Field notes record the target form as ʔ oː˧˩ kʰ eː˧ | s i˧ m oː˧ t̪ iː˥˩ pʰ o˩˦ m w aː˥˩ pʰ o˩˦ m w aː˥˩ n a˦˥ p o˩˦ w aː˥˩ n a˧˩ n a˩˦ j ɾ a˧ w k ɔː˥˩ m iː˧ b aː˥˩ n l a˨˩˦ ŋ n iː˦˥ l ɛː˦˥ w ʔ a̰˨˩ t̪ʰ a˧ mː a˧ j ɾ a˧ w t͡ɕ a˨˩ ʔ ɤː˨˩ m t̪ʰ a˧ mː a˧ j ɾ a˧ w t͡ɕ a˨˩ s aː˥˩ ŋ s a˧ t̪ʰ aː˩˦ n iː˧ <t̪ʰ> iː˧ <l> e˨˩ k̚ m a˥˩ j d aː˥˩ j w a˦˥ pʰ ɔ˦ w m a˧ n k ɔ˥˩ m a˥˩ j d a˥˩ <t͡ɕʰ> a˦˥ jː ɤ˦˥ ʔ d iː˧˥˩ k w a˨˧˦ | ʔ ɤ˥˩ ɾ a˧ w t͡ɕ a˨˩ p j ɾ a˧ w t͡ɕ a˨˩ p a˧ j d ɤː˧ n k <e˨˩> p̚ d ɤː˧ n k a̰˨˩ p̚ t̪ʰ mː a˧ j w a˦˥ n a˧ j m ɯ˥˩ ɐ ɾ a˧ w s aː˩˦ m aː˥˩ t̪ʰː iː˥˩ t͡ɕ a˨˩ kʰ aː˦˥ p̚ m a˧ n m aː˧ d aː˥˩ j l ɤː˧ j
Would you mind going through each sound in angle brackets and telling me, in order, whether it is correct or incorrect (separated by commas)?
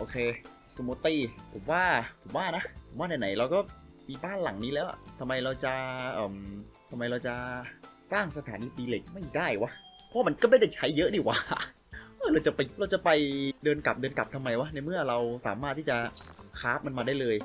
incorrect, correct, correct, incorrect